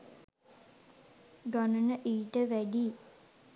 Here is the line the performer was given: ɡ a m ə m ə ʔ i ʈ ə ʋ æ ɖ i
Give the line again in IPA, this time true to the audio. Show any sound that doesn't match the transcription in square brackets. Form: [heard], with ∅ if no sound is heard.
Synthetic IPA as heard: ɡ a [n] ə [n] ə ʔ [iː] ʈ ə ʋ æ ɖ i